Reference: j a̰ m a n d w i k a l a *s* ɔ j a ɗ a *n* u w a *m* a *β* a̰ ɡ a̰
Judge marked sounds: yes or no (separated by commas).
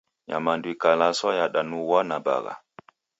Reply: yes, yes, no, no